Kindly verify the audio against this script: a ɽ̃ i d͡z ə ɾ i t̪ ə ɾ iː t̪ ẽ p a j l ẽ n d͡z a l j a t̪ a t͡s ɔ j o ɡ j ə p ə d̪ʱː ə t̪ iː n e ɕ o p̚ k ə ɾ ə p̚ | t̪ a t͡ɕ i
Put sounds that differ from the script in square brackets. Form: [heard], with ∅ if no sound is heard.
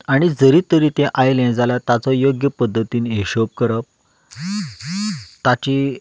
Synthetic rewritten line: a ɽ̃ i d͡z ə ɾ i t̪ ə ɾ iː t̪ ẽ [ʔ] a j l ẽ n d͡z a l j a t̪ a t͡s ɔ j o ɡ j ə p ə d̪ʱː ə t̪ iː n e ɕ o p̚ k ə ɾ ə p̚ | t̪ a t͡ɕ i

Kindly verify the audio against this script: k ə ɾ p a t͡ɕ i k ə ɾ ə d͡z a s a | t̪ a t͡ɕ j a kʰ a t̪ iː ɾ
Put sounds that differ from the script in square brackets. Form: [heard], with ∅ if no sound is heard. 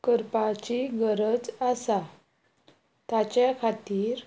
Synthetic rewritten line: k ə ɾ p a t͡ɕ i [ɡ] ə ɾ ə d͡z a s a | t̪ a t͡ɕ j a kʰ a t̪ iː ɾ

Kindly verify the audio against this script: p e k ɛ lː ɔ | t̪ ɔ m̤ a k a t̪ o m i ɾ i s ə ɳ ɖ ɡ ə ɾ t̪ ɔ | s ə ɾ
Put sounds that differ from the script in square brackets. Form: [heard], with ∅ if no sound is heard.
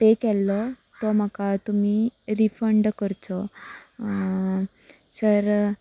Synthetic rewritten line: p e k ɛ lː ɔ | t̪ ɔ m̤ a k a t̪ [u] m i ɾ i [f] ə ɳ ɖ [k] ə ɾ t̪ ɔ | s ə ɾ

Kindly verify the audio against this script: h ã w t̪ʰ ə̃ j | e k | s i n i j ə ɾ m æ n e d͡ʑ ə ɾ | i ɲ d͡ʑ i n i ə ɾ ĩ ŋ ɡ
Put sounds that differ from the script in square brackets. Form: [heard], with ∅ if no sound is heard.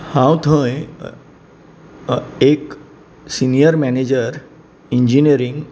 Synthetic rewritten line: h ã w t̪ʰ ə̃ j | e k | s i n i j ə ɾ m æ n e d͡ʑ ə ɾ | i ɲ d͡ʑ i n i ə ɾ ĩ ŋ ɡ

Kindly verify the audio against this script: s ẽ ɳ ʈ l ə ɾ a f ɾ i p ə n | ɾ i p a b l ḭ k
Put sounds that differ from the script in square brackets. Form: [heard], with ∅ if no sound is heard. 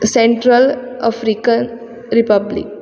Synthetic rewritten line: s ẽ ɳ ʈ [ɾ] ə [l] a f ɾ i [k] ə n | ɾ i p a b l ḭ k

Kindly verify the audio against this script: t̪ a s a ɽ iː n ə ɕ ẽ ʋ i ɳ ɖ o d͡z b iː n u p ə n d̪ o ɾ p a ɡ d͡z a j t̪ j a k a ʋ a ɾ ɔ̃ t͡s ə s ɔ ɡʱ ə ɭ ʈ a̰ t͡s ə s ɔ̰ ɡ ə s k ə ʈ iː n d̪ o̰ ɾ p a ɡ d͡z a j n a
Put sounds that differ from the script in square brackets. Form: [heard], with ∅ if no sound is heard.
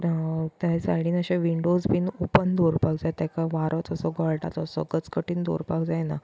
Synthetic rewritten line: t̪ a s a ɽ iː n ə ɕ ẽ ʋ i ɳ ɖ o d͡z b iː n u p ə n d̪ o ɾ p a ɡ d͡z a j t̪ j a k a ʋ a ɾ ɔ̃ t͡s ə s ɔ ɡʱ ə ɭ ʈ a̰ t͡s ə s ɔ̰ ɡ ə [t͡s] k ə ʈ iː n d̪ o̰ ɾ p a ɡ d͡z a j n a

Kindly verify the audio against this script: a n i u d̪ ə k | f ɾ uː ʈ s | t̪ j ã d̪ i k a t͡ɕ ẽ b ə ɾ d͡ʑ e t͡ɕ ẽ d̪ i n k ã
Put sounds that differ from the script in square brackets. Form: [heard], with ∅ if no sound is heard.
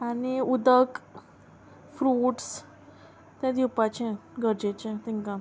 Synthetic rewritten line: a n i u d̪ ə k | f ɾ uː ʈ s | t̪ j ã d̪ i [p] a t͡ɕ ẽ [ɡ] ə ɾ d͡ʑ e t͡ɕ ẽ [t̪] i [ŋ] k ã

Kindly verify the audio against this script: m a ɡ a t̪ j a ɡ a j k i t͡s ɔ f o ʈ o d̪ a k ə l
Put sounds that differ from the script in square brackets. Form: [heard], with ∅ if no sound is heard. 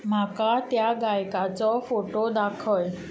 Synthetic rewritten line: m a [k] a t̪ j a ɡ a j k [a] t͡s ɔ f o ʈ o d̪ a [kʰ] ə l

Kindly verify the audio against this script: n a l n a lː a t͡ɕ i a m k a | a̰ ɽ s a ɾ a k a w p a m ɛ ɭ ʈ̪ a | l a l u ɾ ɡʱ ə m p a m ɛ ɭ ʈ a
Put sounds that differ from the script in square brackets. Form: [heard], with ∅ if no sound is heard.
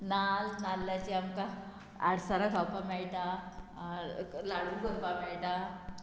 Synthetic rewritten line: n a l n a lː a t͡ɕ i a m k a | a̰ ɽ s a ɾ a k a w p a m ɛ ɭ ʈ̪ a | l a [ɽ] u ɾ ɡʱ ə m p a m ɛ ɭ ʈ a

